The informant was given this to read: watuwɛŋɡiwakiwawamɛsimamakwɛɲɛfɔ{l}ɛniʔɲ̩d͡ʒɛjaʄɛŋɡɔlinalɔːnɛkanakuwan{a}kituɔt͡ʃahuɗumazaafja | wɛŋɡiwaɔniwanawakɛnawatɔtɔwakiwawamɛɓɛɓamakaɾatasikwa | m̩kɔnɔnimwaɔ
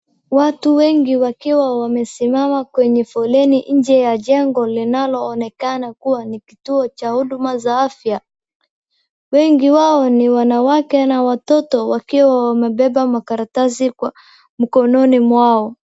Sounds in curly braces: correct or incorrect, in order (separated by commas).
correct, incorrect